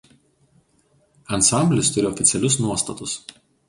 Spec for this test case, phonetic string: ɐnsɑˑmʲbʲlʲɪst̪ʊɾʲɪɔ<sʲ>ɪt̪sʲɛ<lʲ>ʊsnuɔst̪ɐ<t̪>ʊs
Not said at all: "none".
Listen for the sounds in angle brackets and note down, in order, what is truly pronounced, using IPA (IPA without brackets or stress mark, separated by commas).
fʲ, lʲ, t̪